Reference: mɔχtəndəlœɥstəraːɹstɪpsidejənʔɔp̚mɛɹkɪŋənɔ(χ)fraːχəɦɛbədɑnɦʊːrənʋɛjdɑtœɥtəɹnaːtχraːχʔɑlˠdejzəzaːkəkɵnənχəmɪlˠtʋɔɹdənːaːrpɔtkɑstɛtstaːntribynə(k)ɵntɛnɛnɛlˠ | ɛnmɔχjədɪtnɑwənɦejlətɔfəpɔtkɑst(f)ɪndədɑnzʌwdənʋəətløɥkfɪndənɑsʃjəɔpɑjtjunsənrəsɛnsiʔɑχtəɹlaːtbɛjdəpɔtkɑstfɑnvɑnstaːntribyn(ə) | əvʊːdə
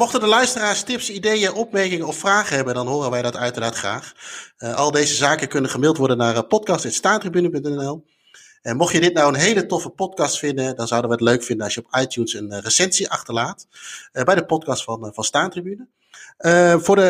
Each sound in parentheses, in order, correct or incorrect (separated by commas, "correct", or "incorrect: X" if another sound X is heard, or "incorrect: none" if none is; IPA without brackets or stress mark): incorrect: f, incorrect: p, correct, correct